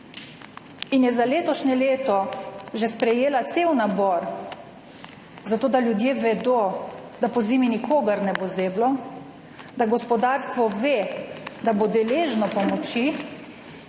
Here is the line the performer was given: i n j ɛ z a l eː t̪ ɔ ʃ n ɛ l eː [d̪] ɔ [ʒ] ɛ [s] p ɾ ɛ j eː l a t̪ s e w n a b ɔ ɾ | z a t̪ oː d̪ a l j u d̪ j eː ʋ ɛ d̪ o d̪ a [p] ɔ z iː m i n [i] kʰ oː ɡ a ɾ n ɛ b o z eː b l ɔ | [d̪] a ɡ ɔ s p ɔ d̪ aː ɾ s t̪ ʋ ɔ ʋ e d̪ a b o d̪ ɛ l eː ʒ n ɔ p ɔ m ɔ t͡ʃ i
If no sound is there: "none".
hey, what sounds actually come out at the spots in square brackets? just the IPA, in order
t̪, ʒ, s, p, i, d̪

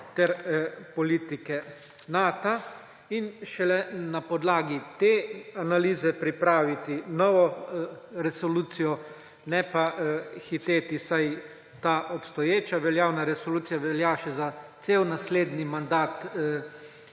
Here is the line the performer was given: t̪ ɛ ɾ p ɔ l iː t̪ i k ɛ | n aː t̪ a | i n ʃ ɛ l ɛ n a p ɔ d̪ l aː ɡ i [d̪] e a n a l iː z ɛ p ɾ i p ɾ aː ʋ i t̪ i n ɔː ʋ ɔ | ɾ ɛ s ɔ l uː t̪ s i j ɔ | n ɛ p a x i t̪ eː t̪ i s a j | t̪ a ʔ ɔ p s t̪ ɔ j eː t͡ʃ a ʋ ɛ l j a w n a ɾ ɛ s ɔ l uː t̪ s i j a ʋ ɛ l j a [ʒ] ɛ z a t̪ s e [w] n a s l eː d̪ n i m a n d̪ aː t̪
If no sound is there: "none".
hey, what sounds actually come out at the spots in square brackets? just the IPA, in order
t̪, ʃ, w

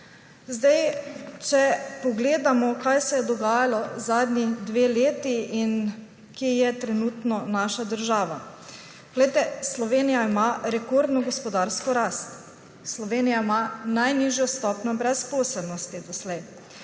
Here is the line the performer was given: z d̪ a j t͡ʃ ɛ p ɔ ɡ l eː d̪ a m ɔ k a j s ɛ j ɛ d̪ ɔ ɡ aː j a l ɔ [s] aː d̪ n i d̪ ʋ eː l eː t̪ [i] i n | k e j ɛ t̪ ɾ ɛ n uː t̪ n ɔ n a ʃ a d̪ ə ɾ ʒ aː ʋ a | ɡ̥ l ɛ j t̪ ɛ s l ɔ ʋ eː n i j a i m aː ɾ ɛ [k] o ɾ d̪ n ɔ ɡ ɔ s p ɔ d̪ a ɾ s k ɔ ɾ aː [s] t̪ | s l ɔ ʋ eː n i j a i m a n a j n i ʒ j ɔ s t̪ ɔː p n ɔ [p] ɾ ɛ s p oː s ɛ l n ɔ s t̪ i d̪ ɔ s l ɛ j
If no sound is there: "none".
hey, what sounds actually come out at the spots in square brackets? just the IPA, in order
z, i, k, s, b

